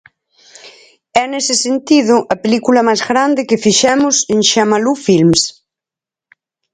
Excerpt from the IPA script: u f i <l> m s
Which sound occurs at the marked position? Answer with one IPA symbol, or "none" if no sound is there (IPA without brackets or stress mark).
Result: l